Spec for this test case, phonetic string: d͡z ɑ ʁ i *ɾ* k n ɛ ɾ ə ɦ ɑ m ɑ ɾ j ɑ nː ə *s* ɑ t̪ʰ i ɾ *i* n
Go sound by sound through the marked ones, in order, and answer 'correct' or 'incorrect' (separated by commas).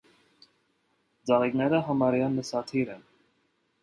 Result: incorrect, correct, incorrect